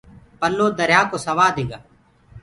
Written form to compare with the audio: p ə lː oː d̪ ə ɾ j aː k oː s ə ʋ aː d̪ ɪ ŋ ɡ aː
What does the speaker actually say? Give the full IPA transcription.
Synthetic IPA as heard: p ə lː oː d̪ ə ɾ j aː k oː s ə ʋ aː d̪ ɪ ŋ ɡ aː